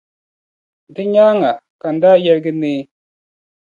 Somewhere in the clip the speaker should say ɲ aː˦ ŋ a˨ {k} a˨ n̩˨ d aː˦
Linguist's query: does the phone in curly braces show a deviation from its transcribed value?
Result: no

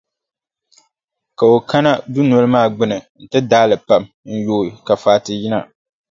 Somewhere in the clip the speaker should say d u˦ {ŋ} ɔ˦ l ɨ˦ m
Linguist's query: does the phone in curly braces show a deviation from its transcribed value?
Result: yes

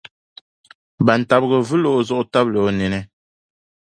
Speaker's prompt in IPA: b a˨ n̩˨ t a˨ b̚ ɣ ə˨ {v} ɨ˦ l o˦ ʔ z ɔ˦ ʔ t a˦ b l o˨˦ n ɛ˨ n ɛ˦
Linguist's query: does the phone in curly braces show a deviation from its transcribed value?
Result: no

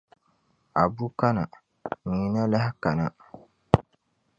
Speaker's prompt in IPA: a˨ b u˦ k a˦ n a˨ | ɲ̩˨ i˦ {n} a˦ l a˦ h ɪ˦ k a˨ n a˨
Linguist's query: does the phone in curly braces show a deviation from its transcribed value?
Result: no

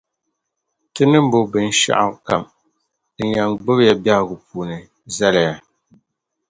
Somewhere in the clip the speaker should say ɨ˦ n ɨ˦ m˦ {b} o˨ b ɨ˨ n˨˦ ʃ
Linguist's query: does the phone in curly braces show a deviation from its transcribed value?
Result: no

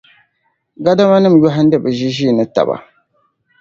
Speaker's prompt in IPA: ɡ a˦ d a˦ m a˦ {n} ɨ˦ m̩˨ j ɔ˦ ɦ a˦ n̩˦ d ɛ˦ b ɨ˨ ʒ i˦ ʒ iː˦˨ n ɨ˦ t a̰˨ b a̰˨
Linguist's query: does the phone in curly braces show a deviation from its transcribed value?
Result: no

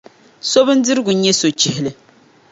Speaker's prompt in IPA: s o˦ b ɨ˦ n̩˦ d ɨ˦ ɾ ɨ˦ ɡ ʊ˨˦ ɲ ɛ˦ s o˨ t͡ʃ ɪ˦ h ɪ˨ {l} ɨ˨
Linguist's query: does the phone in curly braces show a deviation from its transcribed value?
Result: no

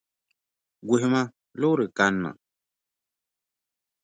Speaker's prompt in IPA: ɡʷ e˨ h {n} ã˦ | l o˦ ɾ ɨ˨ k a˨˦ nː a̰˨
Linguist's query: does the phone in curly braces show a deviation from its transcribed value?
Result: yes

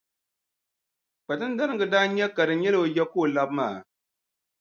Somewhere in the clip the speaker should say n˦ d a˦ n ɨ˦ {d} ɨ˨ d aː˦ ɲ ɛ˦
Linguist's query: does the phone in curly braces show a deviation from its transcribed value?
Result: yes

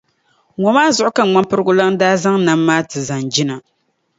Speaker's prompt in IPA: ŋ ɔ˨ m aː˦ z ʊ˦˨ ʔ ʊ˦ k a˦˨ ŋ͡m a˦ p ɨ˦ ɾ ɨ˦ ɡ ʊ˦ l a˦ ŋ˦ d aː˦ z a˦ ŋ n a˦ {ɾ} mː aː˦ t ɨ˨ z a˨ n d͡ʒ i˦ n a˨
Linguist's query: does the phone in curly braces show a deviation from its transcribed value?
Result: yes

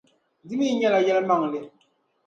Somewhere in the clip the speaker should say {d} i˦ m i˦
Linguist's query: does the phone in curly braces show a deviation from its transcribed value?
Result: no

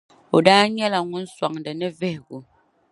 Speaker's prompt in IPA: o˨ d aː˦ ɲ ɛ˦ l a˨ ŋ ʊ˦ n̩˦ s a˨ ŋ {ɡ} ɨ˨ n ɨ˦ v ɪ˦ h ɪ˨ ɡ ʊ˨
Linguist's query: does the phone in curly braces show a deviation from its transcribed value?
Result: yes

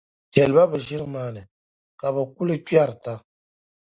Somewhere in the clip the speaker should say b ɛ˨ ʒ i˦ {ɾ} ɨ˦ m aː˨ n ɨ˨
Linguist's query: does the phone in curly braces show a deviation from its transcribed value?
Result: no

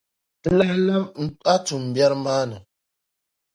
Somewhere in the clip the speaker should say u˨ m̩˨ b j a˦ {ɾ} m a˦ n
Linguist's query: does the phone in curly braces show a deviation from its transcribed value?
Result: no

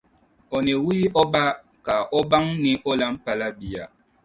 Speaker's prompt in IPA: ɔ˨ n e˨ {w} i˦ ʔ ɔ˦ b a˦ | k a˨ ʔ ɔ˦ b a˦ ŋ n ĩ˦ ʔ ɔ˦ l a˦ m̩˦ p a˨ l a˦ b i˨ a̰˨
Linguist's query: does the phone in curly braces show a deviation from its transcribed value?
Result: no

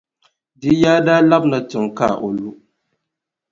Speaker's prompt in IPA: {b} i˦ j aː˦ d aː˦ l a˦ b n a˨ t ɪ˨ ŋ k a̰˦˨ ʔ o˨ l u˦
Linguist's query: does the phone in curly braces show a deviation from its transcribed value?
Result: yes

